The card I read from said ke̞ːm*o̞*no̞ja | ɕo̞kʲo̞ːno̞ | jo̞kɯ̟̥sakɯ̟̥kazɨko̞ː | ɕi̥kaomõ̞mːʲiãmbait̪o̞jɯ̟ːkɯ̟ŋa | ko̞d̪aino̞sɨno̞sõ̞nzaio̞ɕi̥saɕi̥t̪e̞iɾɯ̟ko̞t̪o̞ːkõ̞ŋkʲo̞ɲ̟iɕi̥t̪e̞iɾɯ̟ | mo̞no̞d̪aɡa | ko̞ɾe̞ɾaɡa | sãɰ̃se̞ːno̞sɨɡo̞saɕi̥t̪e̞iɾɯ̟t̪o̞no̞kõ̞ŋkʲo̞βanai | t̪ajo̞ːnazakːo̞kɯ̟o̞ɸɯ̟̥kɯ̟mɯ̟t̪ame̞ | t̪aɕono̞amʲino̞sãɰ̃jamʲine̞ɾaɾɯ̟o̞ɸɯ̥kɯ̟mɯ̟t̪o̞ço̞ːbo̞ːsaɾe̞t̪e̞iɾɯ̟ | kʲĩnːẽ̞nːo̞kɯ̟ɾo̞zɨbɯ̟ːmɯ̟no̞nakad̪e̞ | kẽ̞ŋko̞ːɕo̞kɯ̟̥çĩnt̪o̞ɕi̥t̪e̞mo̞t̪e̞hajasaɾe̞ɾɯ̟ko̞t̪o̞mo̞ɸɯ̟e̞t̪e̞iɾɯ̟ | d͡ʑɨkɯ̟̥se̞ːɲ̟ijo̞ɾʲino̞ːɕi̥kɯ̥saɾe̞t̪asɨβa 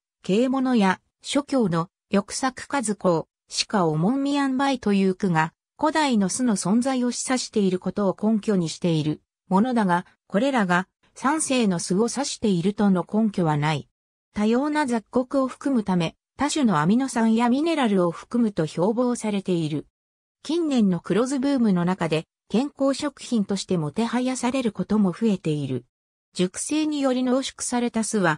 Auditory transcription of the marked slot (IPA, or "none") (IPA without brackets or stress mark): o̞